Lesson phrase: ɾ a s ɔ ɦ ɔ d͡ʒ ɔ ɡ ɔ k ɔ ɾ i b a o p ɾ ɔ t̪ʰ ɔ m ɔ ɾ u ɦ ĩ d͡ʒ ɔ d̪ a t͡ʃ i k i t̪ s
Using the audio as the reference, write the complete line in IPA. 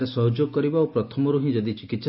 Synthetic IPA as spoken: ɾ e s ɔ ɦ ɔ d͡ʒ o ɡ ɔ k ɔ ɾ i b a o p ɾ ɔ t̪ʰ ɔ m ɔ ɾ u ɦ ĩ d͡ʒ ɔ d̪ i t͡ʃ i k i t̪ s